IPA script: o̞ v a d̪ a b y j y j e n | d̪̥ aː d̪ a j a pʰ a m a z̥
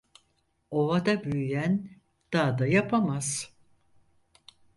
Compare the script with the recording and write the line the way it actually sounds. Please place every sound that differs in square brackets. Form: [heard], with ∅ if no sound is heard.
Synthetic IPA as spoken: o̞ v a d̪ a b y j y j [æ] n | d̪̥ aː d̪ a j a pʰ a m a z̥